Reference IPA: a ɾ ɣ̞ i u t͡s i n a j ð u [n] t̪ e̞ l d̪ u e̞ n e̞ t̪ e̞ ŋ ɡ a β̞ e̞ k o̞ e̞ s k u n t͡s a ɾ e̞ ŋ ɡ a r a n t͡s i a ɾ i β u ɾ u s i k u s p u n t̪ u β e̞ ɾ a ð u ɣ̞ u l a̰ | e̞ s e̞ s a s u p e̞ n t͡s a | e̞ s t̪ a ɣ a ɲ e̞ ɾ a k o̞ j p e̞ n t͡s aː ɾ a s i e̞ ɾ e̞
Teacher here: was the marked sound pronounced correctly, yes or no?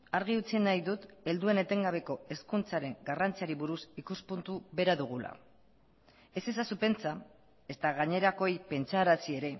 no